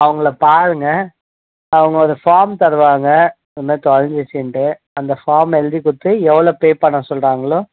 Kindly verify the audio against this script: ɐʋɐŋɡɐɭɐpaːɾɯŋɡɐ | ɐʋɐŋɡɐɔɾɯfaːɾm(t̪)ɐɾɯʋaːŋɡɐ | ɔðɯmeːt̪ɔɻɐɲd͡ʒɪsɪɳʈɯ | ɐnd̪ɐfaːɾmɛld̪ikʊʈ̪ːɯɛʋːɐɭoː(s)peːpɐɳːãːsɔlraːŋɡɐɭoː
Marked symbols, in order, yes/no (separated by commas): yes, no